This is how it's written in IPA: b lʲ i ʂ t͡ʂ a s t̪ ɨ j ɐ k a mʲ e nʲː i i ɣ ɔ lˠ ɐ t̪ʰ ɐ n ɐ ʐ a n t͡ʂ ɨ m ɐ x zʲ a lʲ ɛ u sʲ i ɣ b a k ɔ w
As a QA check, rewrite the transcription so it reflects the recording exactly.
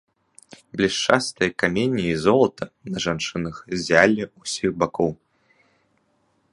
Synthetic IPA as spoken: b lʲ i ʂ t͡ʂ a s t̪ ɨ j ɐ k a mʲ e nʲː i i z ɔ lˠ ɐ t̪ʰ ɐ n ɐ ʐ a n t͡ʂ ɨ n ɐ x zʲ a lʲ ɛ u sʲ i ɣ b a k ɔ w

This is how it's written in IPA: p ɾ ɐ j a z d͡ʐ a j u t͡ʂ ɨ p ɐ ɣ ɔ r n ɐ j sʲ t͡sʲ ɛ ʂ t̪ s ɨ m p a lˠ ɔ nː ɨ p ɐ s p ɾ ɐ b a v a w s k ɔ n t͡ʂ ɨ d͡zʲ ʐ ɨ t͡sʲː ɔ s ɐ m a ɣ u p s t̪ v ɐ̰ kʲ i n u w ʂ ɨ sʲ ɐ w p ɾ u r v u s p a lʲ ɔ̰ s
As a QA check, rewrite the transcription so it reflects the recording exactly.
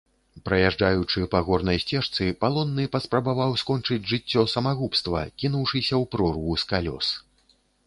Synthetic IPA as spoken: p ɾ ɐ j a ʐ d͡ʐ a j u t͡ʂ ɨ p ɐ ɣ ɔ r n ɐ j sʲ t͡sʲ ɛ ʂ t̪ s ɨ p a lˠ ɔ nː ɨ p ɐ s p ɾ ɐ b a v a w s k ɔ n t͡ʂ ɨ d͡zʲ ʐ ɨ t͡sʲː ɔ s ɐ m a ɣ u p s t̪ v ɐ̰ kʲ i n u w ʂ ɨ sʲ ɐ w p ɾ ɔ r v u s k a lʲ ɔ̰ s

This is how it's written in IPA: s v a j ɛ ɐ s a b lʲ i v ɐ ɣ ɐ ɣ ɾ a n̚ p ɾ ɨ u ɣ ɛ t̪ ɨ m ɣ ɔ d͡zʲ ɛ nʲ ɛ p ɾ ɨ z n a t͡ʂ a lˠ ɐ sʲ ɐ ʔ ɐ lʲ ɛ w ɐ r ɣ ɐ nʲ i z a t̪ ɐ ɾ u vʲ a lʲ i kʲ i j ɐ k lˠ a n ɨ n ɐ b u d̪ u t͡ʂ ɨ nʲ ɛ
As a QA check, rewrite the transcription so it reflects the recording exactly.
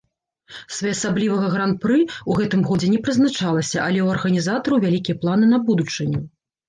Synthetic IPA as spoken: s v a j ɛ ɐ s a b lʲ i v ɐ ɣ ɐ ɣ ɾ a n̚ p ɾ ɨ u ɣ ɛ t̪ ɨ m ɣ ɔ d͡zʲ ɛ nʲ ɛ p ɾ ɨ z n a t͡ʂ a lˠ ɐ sʲ ɐ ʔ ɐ lʲ ɛ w ɐ r ɣ ɐ nʲ i z a t̪ ɐ ɾ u vʲ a lʲ i kʲ i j ɐ p lˠ a n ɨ n ɐ b u d̪ u t͡ʂ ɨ nʲ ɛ

